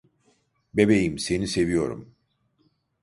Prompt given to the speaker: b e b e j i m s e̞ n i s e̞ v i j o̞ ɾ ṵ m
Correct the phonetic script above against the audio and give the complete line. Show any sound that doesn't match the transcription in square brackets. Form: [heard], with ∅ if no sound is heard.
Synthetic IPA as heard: b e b e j i m s e̞ n i s e̞ v i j o̞ ɾ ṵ m